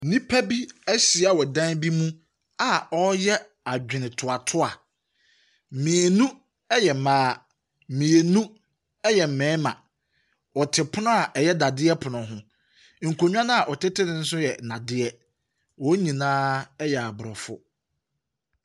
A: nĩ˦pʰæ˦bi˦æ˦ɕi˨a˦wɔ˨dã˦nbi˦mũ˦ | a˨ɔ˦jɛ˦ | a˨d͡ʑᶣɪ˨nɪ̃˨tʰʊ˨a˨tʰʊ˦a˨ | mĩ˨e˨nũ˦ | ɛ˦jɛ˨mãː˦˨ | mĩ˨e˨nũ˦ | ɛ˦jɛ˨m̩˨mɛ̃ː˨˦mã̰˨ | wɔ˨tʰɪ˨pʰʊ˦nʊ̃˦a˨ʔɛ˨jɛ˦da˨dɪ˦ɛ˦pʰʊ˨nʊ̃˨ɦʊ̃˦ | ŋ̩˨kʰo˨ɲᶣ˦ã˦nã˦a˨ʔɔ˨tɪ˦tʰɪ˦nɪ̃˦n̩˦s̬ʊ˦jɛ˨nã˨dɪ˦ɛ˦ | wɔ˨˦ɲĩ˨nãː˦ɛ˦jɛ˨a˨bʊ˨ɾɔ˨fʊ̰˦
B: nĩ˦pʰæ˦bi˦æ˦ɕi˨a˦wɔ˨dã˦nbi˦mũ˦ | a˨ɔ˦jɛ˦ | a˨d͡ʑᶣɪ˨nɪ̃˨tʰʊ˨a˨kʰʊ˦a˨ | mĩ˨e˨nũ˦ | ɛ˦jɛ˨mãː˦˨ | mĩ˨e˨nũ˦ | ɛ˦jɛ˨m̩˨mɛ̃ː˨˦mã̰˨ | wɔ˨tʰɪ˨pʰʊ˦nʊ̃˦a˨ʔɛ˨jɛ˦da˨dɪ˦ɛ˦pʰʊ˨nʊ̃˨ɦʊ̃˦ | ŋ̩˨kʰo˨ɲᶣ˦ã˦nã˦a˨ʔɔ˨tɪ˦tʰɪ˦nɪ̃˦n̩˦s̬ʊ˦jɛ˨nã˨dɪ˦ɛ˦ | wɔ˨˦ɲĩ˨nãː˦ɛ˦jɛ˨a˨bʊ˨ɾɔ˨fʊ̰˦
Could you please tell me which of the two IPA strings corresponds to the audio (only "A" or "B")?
A